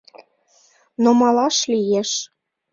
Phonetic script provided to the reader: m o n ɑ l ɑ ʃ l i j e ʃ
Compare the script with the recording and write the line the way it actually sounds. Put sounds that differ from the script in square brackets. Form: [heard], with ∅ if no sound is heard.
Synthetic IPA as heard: [n] o [m] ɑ l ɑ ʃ l i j e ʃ